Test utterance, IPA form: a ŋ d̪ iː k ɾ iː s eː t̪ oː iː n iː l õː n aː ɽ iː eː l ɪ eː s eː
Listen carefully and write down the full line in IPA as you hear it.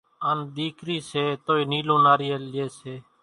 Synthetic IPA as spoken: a n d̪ iː k ɾ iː s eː t̪ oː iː n iː l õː n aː ɾ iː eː l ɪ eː s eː